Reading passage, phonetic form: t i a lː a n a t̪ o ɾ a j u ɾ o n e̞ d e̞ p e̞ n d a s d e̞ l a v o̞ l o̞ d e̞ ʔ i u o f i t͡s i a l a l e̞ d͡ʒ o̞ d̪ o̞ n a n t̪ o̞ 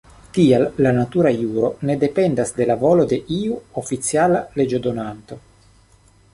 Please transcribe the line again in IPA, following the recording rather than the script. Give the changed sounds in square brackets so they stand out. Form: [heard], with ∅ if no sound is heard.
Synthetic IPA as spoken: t i a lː a n a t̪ [u] ɾ a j u ɾ o n e̞ d e̞ p e̞ n d a s d e̞ l a v o̞ l o̞ d e̞ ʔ i u o f i t͡s i a l a l e̞ d͡ʒ o̞ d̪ o̞ n a n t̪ o̞